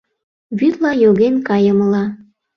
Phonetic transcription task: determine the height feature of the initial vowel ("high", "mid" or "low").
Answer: high